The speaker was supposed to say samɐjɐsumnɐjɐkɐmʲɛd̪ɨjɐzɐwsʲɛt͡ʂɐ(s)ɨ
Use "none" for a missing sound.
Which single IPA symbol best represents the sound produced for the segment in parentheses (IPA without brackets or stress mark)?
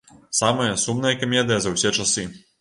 s